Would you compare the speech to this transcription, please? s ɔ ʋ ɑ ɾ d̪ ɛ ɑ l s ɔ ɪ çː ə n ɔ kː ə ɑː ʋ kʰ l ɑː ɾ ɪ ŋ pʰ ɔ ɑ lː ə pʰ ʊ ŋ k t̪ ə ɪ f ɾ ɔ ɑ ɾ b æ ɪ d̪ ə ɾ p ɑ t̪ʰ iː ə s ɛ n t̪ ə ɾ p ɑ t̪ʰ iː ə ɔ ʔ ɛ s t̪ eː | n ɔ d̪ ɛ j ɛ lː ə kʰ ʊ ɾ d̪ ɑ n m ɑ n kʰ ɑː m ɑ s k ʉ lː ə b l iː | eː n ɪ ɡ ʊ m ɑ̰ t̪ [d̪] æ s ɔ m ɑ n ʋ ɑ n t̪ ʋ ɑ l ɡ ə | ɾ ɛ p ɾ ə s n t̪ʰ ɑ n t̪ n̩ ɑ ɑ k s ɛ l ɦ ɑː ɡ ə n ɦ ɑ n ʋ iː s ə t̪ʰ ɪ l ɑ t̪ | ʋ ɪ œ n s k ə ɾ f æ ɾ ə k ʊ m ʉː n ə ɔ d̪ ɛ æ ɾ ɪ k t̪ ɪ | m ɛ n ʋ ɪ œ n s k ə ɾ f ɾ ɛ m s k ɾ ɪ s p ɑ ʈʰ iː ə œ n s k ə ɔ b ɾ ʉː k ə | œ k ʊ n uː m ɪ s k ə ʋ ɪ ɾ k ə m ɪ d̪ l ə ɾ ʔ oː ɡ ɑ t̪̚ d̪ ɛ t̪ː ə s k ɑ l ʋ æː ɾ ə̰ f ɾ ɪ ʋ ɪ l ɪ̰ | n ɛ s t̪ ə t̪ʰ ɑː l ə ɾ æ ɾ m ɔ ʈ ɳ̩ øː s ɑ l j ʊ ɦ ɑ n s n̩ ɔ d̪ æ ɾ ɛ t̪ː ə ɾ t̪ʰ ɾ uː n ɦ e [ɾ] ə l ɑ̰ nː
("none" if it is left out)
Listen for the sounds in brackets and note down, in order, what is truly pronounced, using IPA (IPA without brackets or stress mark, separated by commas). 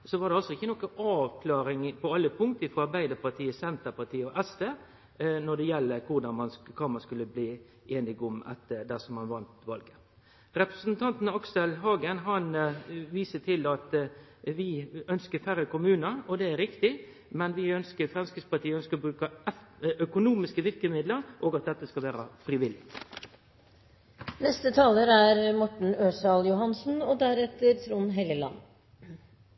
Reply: d̪, l